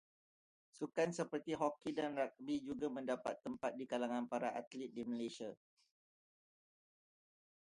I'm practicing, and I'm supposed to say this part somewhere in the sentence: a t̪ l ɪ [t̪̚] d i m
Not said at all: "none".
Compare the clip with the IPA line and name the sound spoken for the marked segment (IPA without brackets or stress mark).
t̪̚